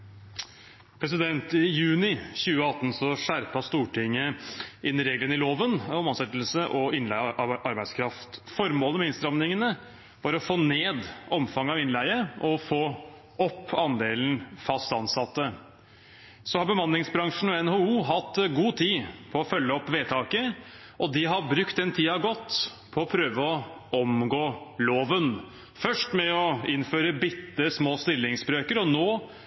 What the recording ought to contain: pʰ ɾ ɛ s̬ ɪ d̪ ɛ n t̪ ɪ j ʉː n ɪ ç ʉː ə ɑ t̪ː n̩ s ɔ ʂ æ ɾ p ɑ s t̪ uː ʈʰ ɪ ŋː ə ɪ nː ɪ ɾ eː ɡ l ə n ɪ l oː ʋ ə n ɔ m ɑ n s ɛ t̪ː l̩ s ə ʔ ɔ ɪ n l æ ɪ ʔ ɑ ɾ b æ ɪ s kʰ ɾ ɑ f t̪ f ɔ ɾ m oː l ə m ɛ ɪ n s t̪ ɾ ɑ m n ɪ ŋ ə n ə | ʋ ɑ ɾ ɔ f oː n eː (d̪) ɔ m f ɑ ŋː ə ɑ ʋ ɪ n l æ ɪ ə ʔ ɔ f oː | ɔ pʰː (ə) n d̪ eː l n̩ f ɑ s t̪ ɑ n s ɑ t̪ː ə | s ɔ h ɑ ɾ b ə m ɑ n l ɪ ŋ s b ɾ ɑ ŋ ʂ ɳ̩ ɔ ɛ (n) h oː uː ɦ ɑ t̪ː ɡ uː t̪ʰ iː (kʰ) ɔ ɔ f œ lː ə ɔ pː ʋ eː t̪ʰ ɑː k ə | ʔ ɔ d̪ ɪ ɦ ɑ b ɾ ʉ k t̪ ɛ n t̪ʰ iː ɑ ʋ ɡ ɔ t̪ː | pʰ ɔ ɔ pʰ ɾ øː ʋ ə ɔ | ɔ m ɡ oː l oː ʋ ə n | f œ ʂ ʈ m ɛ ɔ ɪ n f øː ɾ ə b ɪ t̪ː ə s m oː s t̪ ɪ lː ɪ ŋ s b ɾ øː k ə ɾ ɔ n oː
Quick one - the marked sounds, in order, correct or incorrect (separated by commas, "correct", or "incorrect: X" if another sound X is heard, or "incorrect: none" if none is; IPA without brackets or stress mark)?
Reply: correct, incorrect: ɑ, correct, incorrect: pʰ